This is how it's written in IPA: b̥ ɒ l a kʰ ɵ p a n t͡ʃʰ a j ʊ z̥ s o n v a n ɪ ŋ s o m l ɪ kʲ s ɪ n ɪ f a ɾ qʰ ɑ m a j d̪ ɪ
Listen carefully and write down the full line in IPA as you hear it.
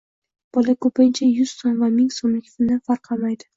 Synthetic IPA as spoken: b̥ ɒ l a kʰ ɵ p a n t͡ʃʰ a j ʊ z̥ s o n v a m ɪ ŋ s o m l ɪ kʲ f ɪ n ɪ f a ɾ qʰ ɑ m a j d̪ ɪ